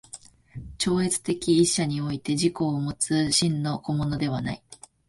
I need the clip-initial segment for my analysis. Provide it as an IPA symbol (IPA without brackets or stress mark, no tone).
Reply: t͡ɕ